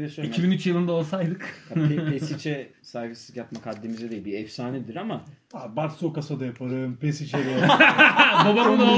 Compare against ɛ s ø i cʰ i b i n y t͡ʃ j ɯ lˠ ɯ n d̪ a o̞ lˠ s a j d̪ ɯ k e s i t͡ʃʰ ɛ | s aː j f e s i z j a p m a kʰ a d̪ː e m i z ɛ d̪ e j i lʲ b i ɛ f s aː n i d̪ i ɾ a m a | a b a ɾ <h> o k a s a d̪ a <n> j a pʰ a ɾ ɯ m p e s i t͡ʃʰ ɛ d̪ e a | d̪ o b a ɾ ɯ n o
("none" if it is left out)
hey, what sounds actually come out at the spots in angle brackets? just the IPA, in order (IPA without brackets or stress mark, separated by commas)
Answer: s, none